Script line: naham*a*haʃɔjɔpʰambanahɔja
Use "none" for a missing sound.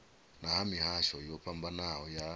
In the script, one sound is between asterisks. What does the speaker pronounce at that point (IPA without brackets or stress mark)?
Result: i